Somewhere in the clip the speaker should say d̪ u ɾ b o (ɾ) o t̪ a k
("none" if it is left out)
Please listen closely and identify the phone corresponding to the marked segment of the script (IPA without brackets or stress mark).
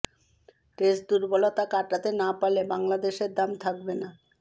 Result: l